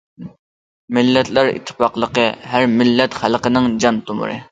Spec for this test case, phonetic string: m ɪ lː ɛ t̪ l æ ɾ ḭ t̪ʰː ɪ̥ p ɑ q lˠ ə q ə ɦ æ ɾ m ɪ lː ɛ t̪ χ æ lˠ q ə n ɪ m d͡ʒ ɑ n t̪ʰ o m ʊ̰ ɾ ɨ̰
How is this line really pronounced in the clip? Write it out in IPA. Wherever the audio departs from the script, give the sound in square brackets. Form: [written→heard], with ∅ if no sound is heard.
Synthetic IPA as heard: m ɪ lː ɛ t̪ l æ ɾ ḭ t̪ʰː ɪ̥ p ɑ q lˠ ə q ə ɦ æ ɾ m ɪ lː ɛ t̪ χ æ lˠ q ə n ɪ [m→ŋ] d͡ʒ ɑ n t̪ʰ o m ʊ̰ ɾ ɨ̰